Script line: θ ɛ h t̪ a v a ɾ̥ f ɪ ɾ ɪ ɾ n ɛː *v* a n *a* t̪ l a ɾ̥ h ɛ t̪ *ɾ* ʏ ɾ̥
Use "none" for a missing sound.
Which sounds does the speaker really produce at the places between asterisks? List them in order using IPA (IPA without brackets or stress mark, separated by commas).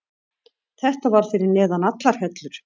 ð, a, l